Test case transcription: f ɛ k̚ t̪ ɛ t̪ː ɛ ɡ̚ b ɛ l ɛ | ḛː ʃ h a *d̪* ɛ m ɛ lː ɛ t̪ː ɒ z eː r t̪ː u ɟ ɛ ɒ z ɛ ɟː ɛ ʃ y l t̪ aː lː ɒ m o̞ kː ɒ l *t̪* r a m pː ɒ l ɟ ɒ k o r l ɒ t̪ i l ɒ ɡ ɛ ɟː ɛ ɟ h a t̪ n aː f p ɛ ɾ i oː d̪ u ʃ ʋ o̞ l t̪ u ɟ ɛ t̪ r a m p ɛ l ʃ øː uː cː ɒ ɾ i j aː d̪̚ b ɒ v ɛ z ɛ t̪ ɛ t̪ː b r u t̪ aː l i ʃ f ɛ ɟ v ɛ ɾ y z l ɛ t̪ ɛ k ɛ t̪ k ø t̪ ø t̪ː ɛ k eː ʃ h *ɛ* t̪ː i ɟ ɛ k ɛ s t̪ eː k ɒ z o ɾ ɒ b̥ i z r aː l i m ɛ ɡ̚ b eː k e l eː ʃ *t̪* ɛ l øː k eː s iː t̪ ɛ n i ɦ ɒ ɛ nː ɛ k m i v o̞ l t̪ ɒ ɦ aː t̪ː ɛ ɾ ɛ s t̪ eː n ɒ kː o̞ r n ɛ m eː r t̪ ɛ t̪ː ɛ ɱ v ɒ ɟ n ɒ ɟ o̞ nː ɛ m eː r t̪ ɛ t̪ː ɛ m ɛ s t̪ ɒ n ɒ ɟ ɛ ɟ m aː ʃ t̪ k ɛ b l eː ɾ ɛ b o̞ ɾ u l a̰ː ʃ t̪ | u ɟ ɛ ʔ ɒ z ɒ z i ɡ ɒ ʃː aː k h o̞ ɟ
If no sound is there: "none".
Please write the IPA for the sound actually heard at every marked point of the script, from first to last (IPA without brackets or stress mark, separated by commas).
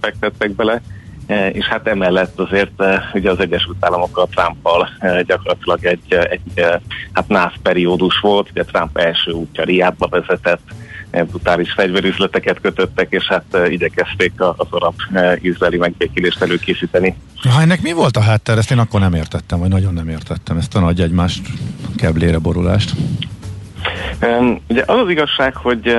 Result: t̪, t̪, a, t̪